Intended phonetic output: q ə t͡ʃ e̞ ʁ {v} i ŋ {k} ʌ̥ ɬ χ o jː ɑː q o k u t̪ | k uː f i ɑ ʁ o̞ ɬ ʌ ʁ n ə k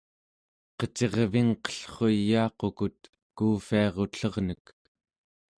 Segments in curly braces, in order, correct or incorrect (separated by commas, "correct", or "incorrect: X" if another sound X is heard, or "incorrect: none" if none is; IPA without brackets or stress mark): correct, incorrect: q